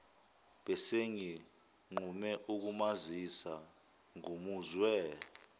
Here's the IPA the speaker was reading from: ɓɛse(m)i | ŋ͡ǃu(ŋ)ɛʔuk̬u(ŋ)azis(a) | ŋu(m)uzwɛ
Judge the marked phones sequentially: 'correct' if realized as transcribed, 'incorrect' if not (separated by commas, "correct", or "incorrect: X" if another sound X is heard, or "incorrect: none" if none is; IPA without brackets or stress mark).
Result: incorrect: ŋ, incorrect: m, incorrect: m, correct, correct